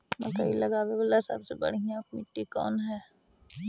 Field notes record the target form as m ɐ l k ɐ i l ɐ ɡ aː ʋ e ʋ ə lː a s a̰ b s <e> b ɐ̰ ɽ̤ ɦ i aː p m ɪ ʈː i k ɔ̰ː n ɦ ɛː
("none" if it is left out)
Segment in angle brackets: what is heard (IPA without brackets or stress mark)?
e